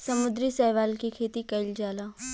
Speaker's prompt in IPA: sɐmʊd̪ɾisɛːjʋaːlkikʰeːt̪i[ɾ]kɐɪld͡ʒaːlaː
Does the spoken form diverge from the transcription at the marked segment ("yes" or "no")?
yes